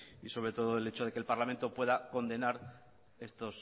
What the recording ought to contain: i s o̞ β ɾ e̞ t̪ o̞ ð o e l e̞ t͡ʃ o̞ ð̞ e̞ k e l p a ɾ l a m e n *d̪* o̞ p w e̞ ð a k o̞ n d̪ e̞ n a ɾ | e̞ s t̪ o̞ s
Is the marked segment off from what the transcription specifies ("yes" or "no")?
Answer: yes